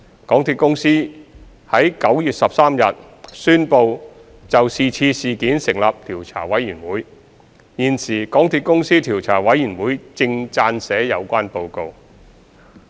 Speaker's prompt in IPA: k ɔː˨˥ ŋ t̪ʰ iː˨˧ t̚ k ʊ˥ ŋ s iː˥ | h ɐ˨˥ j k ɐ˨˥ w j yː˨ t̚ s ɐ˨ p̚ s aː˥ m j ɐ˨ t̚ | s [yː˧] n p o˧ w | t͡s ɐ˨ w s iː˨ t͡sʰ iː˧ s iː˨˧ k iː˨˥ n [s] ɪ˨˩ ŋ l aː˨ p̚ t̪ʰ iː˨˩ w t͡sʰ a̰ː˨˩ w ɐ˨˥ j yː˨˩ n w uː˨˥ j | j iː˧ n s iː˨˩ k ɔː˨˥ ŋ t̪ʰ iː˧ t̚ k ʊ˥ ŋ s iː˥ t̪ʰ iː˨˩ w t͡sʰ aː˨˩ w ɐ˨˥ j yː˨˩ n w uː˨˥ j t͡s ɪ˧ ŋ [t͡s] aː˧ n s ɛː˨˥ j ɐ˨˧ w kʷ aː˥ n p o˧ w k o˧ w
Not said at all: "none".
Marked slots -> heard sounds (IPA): yː˥, s, t͡s

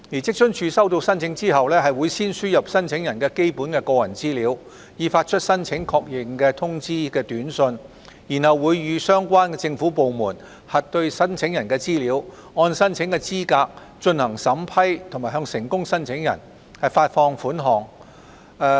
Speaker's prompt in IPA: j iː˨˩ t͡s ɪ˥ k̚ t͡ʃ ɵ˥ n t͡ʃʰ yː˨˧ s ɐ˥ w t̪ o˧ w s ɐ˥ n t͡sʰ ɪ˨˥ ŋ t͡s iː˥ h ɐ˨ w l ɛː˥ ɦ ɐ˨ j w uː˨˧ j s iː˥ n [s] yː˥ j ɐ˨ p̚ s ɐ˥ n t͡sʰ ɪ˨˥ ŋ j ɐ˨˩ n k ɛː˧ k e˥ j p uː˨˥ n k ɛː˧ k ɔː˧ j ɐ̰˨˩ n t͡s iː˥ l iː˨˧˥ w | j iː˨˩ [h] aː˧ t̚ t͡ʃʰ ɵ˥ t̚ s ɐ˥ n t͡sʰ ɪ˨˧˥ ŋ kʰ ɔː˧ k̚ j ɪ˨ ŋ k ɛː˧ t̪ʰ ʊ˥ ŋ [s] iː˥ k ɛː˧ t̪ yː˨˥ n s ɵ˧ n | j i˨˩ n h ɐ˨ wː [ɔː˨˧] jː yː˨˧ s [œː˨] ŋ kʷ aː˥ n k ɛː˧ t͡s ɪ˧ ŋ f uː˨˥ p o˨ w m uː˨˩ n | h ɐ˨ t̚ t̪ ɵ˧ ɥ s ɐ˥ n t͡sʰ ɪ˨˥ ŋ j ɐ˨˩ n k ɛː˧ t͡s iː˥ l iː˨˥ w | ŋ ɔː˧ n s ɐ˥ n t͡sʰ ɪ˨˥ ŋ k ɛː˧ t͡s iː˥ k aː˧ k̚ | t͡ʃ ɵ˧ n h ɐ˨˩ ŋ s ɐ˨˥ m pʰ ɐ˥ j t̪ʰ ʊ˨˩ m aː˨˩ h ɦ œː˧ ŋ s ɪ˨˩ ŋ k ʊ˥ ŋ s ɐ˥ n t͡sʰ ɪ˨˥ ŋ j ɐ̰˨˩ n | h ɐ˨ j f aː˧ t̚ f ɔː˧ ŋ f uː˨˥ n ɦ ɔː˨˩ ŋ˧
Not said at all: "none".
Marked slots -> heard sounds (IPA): s, f, t͡s, uː˨˧, œː˥

